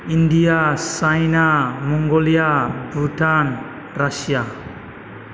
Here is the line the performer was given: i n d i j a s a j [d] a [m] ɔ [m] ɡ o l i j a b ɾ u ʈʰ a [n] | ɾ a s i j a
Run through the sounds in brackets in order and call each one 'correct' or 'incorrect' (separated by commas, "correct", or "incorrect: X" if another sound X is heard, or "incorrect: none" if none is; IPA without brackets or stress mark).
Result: incorrect: n, correct, incorrect: ŋ, correct